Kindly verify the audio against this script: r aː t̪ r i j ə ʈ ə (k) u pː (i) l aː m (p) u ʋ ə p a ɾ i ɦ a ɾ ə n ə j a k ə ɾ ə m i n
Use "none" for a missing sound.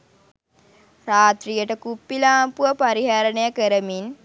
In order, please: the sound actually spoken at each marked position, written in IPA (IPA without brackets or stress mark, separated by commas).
k, i, p